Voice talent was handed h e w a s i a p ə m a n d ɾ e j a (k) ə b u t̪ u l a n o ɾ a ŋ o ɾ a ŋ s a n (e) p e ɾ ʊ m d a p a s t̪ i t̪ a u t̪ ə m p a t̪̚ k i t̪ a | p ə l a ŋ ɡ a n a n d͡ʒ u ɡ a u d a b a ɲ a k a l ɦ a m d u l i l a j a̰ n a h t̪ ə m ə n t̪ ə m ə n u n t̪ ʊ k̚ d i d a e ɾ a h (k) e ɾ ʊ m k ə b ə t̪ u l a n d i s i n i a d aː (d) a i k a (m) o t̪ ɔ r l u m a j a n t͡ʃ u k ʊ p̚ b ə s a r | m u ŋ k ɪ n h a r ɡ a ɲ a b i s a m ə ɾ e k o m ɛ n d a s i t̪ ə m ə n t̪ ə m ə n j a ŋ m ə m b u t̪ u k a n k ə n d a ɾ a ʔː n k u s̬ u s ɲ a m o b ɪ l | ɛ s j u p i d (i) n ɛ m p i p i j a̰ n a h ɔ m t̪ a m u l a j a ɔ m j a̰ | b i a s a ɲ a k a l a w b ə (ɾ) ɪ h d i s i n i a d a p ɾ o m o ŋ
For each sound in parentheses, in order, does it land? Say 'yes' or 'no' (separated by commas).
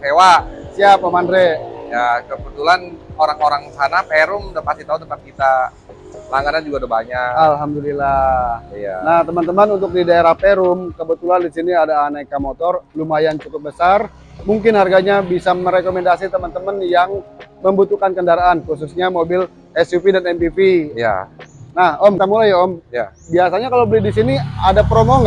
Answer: yes, no, no, no, yes, no, no